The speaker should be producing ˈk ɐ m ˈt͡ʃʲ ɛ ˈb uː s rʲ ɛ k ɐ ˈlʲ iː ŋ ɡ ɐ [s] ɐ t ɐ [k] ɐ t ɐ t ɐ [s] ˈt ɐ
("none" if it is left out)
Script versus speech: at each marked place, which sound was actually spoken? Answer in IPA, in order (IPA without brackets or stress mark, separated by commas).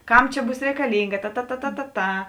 t, t, none